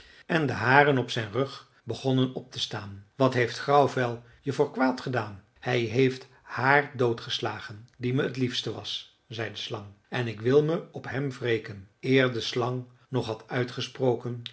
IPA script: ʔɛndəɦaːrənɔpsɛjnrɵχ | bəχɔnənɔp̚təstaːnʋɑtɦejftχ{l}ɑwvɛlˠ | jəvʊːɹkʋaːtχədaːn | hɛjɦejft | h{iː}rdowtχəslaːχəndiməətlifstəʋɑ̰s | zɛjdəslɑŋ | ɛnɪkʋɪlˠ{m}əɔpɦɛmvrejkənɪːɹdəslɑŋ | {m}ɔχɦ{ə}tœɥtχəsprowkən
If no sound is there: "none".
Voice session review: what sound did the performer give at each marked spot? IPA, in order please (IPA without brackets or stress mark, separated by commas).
r, aː, m, n, ɑ